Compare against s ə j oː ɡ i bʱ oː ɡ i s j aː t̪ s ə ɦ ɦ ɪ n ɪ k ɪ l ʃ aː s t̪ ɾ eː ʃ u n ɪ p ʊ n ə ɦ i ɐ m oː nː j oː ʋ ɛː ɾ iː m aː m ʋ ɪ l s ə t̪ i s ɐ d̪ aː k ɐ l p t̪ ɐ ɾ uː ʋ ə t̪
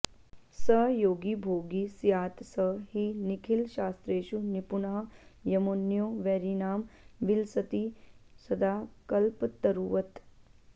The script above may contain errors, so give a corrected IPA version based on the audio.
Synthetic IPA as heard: s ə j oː ɡ i bʱ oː ɡ i s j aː t̪ s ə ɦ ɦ i n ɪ kʰ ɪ l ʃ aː s t̪ ɾ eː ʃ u n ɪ p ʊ n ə ɦ j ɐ m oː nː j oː ʋ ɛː ɾ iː n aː m ʋ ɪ l s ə t̪ i s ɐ d̪ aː k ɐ l p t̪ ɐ ɾ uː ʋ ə t̪